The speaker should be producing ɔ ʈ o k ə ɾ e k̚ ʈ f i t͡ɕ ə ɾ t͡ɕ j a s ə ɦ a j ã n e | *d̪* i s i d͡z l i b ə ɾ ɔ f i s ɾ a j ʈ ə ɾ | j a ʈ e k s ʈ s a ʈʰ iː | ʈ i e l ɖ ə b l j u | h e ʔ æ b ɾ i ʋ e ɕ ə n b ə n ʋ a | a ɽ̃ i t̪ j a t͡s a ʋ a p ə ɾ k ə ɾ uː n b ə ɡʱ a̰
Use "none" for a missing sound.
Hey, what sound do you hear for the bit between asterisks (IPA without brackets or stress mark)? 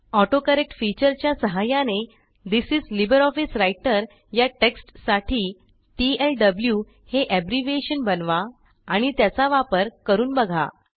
d̪